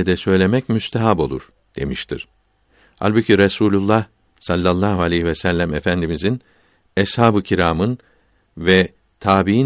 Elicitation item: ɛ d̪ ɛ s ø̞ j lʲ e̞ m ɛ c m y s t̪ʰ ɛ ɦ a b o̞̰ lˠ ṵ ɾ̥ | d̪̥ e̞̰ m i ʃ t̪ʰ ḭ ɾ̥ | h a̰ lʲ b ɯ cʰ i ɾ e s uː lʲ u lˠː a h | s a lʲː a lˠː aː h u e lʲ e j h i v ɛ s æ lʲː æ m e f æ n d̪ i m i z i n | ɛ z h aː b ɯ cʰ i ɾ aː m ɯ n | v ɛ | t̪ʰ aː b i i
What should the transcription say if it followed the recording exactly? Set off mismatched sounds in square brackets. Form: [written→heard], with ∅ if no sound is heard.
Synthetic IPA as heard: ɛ d̪ ɛ s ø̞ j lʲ e̞ m ɛ c m y s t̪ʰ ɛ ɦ a b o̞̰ lˠ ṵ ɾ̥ | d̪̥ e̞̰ m i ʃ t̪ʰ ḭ ɾ̥ | h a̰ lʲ b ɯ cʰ i ɾ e s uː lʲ u lˠː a h | s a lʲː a lˠː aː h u [e→a] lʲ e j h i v ɛ s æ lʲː æ m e f æ n d̪ i m i z i n | ɛ [z→s] h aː b ɯ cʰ i ɾ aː m ɯ n | v ɛ | t̪ʰ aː b i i